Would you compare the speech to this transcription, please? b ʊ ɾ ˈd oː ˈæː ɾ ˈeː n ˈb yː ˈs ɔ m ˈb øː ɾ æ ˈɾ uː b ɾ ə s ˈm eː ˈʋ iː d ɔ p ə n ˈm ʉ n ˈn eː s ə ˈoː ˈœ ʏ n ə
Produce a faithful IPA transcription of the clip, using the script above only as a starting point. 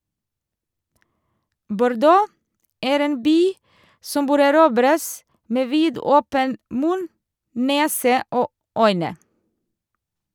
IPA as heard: b ʊ ɾ ˈd oː ˈæː ɾ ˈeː n ˈb yː ˈs ɔ m ˈb øː ɾ æ ˈɾ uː b ɾ ə s ˈm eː ˈʋ iː d ɔ p ə n ˈm ʉ n ˈn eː s ə ˈoː ˈœ ʏ n ə